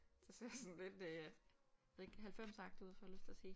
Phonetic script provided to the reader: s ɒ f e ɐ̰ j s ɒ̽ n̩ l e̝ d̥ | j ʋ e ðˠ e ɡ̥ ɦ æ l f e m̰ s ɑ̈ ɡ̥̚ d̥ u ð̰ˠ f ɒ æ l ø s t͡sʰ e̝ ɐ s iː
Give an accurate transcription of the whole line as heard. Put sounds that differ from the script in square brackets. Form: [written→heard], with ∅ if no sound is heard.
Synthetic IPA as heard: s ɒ [f→s] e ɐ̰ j s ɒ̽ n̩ l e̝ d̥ | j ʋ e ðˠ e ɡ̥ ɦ æ l f e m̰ s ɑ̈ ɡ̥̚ d̥ u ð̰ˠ f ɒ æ l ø s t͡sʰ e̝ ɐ s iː